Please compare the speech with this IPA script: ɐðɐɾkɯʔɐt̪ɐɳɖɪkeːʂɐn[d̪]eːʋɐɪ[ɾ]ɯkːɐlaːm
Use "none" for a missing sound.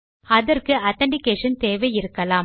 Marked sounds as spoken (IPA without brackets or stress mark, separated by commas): t̪, ɾ